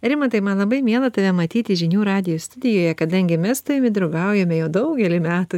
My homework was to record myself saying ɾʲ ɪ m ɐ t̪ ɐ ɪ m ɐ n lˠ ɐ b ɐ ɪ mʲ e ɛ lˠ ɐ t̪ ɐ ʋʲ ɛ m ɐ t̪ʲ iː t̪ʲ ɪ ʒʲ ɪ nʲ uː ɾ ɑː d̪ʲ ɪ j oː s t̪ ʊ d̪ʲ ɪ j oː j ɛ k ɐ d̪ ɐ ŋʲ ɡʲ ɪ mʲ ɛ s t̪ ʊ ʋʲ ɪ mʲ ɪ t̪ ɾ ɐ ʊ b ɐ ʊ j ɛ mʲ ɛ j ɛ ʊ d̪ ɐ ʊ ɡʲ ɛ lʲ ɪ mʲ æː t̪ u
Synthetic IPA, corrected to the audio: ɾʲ ɪ m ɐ t̪ ɐ ɪ m ɐ n lˠ ɐ b ɐ ɪ mʲ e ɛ lˠ ɐ t̪ ɐ ʋʲ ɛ m ɐ t̪ʲ iː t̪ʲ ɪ ʒʲ ɪ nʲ uː ɾ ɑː d̪ʲ ɪ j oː s t̪ ʊ d̪ʲ ɪ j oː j ɛ k ɐ d̪ ɐ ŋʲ ɡʲ ɪ mʲ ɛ s t̪ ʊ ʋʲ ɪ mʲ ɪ d̪ ɾ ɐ ʊ ɡ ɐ ʊ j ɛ mʲ ɛ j ɛ ʊ d̪ ɐ ʊ ɡʲ ɛ lʲ ɪ mʲ æː t̪ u